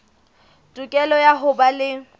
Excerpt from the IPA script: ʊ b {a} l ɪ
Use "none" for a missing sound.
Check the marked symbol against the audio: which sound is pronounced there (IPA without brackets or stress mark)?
a